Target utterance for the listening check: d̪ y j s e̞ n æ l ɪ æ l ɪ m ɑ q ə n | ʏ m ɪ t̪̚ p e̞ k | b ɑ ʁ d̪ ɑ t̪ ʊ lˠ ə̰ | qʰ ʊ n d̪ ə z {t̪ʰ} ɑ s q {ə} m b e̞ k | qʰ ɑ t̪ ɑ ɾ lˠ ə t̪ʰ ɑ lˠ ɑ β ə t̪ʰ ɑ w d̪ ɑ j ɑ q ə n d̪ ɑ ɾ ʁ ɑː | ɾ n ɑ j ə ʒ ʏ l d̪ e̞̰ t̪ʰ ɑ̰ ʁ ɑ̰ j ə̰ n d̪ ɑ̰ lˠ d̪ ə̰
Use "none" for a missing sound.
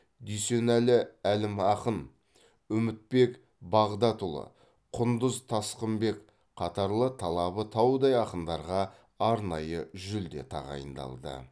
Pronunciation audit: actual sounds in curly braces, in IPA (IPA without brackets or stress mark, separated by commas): t̪ʰ, ə